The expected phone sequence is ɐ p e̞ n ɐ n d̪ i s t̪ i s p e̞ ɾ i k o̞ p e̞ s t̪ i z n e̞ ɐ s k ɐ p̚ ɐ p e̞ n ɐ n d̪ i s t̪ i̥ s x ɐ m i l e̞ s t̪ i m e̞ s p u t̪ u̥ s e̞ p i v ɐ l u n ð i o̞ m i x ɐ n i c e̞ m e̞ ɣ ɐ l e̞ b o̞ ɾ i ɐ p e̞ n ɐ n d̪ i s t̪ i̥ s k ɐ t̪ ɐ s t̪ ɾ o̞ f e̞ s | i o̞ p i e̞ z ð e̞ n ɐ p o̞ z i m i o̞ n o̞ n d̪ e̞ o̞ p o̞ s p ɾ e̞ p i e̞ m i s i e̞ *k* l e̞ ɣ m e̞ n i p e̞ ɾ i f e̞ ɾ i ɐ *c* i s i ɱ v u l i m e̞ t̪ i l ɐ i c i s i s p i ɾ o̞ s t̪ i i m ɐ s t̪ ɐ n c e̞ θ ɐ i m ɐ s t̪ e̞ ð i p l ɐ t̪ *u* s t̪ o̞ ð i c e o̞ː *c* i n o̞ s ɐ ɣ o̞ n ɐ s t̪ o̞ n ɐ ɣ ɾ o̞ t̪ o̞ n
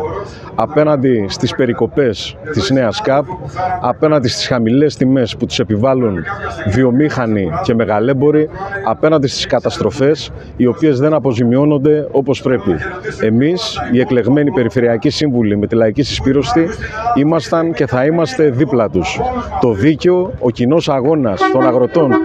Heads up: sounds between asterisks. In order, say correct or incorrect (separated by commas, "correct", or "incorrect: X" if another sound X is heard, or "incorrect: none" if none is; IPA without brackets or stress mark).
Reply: correct, correct, correct, correct